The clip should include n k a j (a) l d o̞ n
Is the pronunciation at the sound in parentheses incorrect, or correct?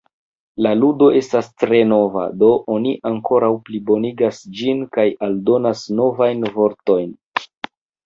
correct